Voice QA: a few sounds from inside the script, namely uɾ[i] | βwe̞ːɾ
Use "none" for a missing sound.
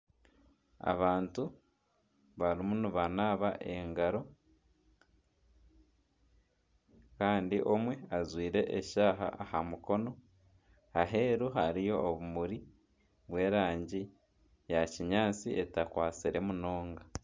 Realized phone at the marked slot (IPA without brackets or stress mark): i